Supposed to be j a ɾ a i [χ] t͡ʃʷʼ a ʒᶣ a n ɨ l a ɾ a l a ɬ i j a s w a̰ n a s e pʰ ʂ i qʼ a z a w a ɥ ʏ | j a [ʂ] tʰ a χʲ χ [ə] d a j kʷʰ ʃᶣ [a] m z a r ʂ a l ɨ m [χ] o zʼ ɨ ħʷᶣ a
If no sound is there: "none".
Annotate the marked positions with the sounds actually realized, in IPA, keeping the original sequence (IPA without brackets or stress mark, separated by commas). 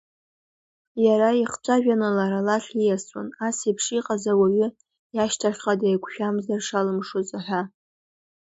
χ, ʃ, a, a, ʂ